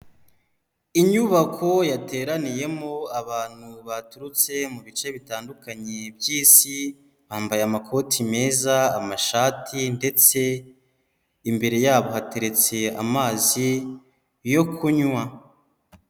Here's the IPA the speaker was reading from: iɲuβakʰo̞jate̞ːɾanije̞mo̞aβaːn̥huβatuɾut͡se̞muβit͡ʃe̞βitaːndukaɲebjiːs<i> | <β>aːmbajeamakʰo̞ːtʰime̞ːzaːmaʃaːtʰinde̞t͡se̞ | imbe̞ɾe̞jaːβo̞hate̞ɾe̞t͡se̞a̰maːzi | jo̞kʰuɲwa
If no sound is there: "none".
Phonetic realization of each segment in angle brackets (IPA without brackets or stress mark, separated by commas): i, β